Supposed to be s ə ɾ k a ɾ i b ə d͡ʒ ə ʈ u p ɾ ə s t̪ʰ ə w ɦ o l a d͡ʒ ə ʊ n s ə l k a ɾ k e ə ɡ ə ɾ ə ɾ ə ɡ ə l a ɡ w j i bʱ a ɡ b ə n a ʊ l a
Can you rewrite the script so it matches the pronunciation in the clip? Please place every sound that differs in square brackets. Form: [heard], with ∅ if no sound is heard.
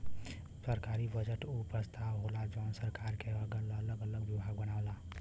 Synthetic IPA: s ə ɾ k a ɾ i b ə d͡ʒ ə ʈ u p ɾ ə s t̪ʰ [a] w ɦ o l a d͡ʒ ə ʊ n s ə [ɾ] k a ɾ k e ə ɡ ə [l] ə [l] ə ɡ ə l [ə] ɡ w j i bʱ a ɡ b ə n a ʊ l a